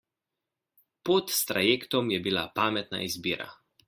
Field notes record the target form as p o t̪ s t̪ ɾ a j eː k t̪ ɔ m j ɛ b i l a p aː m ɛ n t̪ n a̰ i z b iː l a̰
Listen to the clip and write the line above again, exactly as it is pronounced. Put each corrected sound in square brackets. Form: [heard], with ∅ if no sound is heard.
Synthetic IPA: p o t̪ s t̪ ɾ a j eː k t̪ ɔ m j ɛ b i l a p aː m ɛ [∅] t̪ n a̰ i z b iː [ɾ] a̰